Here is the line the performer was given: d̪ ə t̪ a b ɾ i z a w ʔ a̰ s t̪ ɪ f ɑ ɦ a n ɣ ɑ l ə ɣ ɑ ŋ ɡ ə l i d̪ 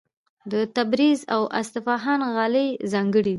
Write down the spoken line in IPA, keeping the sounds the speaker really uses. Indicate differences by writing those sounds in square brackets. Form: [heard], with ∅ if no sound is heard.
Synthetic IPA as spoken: d̪ ə t̪ a b ɾ i z a w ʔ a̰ s t̪ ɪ f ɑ ɦ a n ɣ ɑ l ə [z] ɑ ŋ ɡ ə [ɽ] i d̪